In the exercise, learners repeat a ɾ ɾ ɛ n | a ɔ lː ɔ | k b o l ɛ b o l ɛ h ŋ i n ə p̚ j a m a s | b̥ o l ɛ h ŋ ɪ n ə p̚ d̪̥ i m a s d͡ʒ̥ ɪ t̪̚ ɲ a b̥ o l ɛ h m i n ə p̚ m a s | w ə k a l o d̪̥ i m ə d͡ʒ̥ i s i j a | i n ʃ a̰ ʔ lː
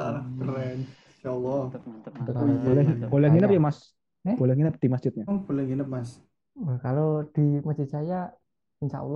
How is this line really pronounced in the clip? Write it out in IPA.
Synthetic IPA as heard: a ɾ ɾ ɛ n | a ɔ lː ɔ | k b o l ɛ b o l ɛ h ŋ i n ə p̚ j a m a s | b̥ o l ɛ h ŋ i n ə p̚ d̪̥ i m a s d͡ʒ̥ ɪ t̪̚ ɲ a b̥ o l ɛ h ŋ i n ə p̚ m a s | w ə k a l o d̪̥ i m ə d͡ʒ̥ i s a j a | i n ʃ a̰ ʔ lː